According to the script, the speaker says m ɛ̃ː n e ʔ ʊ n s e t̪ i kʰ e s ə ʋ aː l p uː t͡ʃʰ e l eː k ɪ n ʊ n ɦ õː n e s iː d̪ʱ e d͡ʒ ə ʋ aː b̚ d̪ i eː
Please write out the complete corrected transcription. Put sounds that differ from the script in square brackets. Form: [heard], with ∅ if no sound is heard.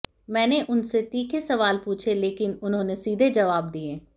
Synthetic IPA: m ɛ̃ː n e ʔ ʊ n s e t̪ [iː] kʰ e s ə ʋ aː l p uː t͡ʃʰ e l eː k ɪ n ʊ n ɦ õː n e s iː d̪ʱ e d͡ʒ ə ʋ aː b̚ d̪ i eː